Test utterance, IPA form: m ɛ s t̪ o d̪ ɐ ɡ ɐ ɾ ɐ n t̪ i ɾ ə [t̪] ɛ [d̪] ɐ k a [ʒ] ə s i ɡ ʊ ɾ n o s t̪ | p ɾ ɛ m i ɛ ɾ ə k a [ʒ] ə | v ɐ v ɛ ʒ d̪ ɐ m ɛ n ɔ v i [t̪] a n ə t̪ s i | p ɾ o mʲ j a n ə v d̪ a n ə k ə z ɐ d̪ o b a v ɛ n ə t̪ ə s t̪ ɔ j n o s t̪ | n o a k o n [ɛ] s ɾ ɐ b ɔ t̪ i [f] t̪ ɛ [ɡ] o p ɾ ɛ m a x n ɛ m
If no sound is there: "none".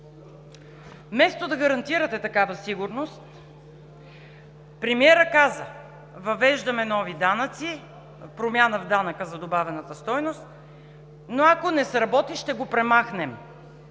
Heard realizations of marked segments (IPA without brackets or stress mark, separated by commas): t̪, t̪, v, z, d̪, ɛ, ʃ, ɡ